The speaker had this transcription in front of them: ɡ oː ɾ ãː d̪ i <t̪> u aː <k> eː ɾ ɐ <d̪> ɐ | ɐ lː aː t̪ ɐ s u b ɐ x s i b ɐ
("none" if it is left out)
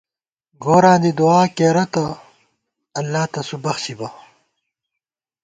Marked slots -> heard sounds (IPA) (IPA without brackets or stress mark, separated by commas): d̪, k, t̪